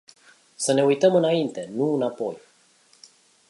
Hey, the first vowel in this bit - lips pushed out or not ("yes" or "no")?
no